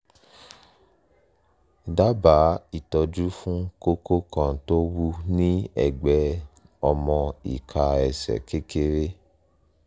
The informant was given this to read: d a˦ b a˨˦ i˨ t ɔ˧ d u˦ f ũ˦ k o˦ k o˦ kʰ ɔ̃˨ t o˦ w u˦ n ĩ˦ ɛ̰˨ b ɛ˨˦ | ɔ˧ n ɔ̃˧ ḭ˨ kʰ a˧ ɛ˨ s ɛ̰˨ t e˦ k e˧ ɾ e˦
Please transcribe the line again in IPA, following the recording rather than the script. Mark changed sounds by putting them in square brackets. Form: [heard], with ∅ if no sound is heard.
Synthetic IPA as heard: d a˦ b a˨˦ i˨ t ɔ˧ [d͡ʒ] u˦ f ũ˦ k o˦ k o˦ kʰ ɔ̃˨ t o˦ w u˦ n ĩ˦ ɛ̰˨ [ɡ͡b] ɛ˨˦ | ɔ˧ [m] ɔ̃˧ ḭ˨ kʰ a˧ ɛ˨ s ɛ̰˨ [k] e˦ k e˧ ɾ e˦

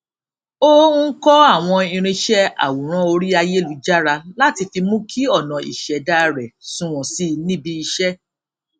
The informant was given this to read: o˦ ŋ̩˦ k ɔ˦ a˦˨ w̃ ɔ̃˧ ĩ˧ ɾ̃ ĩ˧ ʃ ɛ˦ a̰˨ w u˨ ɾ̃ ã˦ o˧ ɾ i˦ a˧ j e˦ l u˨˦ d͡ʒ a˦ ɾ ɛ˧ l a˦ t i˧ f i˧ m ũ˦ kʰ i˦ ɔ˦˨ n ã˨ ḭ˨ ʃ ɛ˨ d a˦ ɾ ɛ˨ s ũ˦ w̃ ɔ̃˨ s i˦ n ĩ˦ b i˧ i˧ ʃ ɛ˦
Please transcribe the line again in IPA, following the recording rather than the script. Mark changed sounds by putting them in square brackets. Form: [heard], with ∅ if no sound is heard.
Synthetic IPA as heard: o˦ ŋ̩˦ k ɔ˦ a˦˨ w̃ ɔ̃˧ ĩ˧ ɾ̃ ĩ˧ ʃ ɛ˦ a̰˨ w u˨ ɾ̃ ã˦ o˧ ɾ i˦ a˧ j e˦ l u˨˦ d͡ʒ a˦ ɾ [a˧] l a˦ t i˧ f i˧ m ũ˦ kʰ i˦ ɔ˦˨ n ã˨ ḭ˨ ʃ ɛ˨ d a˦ ɾ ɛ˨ s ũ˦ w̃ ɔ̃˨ s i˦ n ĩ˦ b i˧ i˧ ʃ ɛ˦

